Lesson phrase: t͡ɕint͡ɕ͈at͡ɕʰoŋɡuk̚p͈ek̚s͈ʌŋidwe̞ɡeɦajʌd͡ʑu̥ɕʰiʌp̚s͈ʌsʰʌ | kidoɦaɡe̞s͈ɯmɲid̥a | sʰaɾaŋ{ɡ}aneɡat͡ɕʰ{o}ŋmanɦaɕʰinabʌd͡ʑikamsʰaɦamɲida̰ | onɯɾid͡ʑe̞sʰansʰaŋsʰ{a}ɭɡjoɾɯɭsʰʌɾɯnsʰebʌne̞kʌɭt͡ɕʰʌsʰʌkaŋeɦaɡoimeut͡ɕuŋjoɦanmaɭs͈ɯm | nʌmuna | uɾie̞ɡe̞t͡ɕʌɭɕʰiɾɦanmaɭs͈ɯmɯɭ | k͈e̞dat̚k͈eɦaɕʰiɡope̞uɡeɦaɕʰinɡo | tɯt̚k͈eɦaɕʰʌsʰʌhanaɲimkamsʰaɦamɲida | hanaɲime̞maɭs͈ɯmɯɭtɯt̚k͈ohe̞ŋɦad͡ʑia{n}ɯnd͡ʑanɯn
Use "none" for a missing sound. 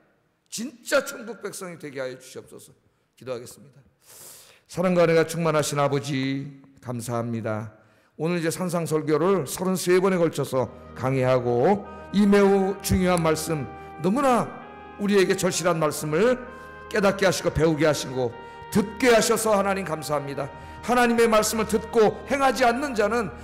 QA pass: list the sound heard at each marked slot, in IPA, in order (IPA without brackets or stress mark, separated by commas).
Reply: ɡ, u, ʌ, nː